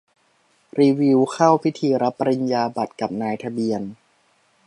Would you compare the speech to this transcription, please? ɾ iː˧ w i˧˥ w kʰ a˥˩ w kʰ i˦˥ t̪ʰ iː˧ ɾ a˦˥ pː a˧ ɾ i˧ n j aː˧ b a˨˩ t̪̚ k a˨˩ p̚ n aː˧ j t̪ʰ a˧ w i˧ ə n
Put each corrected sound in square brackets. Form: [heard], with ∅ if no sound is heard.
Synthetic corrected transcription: ɾ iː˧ w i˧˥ w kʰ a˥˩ w [pʰ] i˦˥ t̪ʰ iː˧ ɾ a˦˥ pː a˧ ɾ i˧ n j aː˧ b a˨˩ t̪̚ k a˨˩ p̚ n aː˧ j t̪ʰ a˧ [b] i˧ ə n